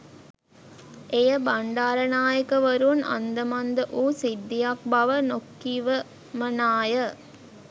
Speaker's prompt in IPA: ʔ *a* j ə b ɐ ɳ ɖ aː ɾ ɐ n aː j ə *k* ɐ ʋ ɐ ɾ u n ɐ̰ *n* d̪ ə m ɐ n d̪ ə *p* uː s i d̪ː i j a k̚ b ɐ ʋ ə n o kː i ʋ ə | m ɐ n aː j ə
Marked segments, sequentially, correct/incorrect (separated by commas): incorrect, correct, correct, incorrect